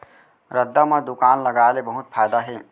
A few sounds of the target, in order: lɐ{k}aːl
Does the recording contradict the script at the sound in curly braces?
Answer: yes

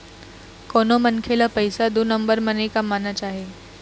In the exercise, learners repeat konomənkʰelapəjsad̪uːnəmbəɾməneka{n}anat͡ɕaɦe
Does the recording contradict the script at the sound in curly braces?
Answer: yes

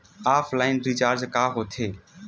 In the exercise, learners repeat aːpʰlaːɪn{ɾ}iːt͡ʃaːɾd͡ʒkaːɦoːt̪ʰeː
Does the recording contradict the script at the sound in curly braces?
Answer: no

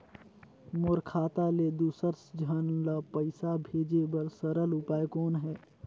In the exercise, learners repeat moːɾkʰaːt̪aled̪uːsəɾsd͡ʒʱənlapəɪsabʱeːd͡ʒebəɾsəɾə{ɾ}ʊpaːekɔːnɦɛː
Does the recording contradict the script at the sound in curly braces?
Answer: yes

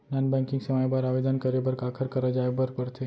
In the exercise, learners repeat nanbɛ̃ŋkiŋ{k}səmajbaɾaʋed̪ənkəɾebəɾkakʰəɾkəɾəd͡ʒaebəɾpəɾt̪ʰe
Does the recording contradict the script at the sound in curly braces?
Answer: yes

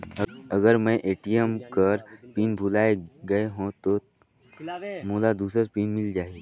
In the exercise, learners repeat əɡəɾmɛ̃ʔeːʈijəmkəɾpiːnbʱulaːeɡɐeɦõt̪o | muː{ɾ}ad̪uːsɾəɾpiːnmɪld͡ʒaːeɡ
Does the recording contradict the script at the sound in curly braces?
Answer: yes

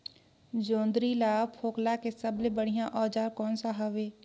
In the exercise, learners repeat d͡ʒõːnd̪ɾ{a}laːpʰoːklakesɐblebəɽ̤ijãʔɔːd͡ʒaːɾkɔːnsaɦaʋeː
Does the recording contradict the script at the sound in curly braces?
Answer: yes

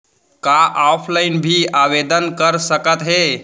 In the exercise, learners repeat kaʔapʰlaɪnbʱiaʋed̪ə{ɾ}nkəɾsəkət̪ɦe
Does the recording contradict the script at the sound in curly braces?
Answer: yes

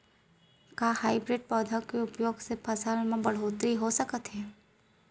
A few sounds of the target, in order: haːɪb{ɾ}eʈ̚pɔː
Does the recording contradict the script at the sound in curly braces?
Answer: no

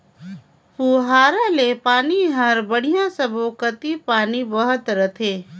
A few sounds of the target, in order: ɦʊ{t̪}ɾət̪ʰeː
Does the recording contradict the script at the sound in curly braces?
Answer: no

